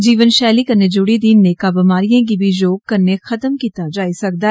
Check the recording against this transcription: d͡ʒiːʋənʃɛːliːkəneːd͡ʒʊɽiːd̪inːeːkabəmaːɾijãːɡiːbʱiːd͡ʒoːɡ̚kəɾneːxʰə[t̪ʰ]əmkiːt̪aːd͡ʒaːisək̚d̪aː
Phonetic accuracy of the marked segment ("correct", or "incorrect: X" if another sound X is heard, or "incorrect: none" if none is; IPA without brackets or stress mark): incorrect: t̪